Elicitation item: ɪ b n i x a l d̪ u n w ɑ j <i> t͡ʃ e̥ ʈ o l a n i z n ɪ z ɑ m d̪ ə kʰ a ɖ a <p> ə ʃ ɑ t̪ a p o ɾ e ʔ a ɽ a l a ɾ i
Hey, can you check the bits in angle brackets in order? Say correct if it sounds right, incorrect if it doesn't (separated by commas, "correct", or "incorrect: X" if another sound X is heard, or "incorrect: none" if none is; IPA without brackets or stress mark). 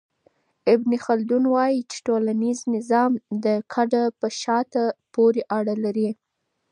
correct, correct